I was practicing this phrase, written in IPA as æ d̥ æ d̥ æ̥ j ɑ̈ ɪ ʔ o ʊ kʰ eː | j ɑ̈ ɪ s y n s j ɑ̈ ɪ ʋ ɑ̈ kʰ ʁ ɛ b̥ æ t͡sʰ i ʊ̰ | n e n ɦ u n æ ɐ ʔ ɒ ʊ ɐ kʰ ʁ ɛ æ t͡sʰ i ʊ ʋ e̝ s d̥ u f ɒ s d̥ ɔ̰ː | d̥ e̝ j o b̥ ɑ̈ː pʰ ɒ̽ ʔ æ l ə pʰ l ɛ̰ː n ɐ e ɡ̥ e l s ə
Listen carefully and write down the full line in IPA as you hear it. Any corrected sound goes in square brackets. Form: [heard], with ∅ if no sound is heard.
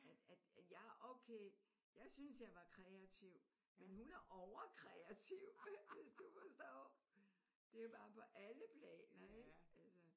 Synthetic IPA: æ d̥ æ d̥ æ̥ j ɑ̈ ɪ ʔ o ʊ kʰ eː | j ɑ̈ ɪ s y n s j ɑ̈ ɪ ʋ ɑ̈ kʰ ʁ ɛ [∅] æ t͡sʰ i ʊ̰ | [m] e n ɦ u n æ ɐ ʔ ɒ ʊ ɐ kʰ ʁ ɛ æ t͡sʰ i ʊ ʋ e̝ s d̥ u f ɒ s d̥ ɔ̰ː | d̥ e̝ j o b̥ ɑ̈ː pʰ ɒ̽ ʔ æ l ə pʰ l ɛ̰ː n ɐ e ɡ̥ [æ] l s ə